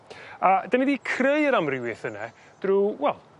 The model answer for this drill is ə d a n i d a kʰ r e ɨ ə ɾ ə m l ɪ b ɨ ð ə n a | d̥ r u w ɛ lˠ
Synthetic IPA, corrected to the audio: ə d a n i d i kʰ r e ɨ ə ɾ a m r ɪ w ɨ θ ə n ɛ | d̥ r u w ɛ lˠ